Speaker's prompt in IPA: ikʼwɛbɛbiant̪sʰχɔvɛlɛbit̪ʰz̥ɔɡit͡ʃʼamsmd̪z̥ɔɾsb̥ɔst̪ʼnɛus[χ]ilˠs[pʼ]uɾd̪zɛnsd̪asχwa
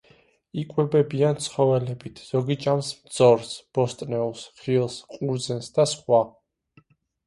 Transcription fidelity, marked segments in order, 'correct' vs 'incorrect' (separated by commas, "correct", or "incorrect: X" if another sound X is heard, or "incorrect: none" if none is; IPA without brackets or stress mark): correct, incorrect: qʼ